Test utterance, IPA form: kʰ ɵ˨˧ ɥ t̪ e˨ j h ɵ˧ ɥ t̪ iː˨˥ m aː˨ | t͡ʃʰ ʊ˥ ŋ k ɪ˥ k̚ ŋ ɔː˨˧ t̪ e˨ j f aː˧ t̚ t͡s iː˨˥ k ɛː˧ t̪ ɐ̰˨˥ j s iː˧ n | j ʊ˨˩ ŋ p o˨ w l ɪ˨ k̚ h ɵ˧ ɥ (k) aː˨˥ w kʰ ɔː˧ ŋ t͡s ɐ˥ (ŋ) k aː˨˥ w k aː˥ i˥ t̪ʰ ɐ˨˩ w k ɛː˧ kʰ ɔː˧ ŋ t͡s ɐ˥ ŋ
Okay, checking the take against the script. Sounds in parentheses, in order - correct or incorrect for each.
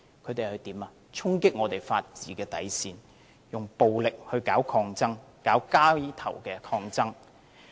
correct, correct

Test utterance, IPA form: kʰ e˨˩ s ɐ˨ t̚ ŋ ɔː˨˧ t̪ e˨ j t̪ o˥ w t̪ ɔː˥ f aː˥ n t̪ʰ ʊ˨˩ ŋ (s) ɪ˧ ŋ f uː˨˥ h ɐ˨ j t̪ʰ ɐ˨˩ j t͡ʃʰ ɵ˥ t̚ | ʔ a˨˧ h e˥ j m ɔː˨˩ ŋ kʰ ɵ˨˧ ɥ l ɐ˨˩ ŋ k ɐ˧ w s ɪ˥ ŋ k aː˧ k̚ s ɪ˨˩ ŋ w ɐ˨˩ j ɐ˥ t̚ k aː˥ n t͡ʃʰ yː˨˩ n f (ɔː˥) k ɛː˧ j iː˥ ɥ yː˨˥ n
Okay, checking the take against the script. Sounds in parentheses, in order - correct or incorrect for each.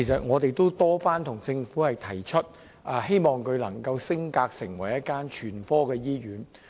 incorrect: t͡s, correct

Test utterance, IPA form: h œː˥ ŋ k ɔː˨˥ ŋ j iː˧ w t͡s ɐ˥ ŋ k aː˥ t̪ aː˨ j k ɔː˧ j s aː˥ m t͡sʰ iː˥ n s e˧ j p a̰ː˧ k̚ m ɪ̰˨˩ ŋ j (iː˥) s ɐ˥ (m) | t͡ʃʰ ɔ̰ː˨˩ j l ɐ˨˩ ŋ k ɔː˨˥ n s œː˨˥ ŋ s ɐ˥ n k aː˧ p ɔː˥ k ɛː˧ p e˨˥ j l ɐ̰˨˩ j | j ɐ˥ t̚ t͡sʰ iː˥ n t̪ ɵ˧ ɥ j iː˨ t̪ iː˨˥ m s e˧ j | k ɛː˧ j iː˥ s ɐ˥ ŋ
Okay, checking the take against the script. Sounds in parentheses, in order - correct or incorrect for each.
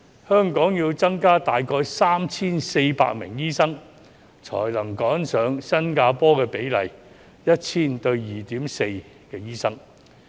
correct, incorrect: ŋ

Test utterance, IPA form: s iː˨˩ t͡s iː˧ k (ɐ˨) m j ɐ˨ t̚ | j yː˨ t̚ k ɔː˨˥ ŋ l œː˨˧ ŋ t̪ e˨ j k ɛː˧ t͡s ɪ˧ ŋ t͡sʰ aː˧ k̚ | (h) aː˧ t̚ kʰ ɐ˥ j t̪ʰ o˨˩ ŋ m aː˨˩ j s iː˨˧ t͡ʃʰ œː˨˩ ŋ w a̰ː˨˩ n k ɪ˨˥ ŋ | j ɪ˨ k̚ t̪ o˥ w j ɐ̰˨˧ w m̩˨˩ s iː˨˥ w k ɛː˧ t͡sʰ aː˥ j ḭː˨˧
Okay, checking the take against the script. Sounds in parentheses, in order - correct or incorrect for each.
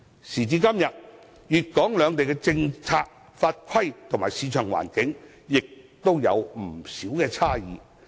incorrect: ɐ˥, incorrect: f

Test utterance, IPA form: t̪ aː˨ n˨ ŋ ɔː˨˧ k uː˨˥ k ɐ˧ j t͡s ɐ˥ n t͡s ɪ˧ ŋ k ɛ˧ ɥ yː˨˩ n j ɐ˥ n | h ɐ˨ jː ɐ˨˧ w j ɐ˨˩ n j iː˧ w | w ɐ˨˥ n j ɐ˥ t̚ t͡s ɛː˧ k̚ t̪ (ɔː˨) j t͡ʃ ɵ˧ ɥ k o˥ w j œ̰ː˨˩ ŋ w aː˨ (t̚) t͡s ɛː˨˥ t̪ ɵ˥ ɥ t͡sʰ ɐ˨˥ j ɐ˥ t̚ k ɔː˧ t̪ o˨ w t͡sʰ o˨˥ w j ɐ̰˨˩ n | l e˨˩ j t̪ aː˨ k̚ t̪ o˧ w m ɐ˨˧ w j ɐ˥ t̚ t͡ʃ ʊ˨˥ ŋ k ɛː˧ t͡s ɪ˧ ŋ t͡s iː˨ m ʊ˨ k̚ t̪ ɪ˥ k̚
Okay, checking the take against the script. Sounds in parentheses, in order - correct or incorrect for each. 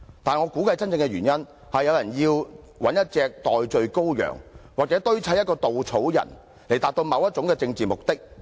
correct, incorrect: k̚

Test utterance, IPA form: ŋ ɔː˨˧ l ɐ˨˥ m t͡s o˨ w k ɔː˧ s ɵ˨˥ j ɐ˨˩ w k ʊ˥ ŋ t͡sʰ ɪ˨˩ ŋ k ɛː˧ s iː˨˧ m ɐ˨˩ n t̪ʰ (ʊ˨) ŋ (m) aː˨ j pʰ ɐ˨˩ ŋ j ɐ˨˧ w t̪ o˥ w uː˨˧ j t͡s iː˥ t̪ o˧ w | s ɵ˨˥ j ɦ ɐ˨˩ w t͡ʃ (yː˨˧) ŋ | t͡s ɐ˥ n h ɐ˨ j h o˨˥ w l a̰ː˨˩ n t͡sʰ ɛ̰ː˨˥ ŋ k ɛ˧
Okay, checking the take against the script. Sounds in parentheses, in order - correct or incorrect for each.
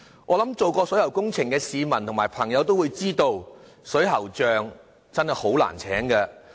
correct, correct, incorrect: œː˨˧

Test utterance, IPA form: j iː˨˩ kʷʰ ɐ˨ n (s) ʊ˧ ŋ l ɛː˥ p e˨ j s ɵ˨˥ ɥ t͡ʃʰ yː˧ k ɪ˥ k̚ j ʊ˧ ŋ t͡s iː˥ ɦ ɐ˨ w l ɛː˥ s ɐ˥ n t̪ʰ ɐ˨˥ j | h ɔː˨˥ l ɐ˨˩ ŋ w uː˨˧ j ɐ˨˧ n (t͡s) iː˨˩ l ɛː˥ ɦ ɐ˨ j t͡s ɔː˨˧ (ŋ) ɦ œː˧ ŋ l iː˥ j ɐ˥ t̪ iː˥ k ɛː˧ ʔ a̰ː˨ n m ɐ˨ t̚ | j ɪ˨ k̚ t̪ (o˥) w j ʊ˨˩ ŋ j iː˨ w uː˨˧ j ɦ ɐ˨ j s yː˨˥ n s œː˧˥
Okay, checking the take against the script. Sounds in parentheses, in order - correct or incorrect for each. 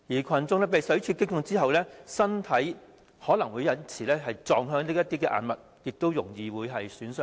incorrect: t͡s, incorrect: t͡sʰ, correct, correct

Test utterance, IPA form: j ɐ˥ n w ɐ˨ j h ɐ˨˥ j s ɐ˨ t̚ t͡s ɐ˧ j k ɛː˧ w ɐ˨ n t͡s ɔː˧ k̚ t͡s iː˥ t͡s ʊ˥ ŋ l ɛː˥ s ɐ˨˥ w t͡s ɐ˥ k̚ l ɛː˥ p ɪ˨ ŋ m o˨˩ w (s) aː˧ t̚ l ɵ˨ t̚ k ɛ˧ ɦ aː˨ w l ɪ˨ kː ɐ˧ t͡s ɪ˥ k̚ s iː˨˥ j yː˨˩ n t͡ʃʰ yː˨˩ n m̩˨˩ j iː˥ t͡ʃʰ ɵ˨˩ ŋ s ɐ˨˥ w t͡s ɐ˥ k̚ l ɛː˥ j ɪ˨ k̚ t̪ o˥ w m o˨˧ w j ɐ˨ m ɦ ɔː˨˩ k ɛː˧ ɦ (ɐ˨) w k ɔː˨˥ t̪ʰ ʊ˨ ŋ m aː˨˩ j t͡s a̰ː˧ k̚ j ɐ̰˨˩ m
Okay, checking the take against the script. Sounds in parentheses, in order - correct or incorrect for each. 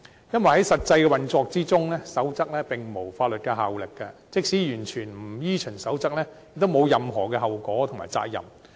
incorrect: f, correct

